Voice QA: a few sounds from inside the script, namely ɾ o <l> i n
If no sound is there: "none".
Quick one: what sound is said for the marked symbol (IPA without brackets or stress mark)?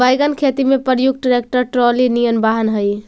l